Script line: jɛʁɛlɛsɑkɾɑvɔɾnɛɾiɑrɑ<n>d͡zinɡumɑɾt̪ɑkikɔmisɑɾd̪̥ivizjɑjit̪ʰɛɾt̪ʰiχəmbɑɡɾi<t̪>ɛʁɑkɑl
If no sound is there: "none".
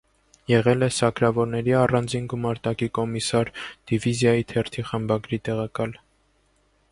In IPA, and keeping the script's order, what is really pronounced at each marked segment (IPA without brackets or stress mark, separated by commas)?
n, t̪